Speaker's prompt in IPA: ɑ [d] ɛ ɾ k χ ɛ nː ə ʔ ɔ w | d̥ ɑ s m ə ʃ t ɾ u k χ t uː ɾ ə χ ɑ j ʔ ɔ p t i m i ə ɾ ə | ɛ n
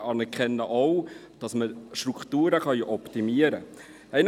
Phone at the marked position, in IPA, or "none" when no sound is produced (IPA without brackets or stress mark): n